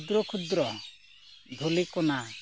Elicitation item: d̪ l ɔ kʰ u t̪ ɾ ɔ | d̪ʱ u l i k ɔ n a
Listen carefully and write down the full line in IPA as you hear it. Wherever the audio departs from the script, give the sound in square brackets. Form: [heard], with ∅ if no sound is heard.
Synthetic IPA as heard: d̪ [ɾ] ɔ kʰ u [d̪] ɾ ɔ | d̪ʱ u l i k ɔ n a